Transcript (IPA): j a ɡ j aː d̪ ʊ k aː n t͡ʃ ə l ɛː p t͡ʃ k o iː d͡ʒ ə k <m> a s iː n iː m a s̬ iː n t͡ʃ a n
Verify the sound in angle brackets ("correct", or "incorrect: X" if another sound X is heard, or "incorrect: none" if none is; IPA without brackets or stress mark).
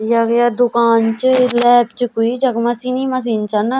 correct